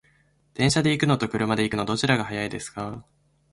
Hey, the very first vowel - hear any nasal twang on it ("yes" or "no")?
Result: yes